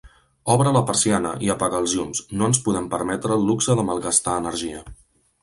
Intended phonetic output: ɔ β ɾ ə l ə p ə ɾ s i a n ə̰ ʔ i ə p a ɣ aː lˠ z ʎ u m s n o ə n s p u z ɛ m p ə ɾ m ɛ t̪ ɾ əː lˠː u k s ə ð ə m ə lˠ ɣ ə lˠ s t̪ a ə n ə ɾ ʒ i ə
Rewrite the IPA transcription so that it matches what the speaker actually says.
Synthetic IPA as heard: ɔ β ɾ ə l ə p ə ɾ s i a n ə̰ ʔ i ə p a ɣ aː lˠ z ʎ u m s n o ə n s p u ð ɛ m p ə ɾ m ɛ t̪ ɾ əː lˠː u k s ə ð ə m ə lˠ ɣ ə s t̪ a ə n ə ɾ ʒ i ə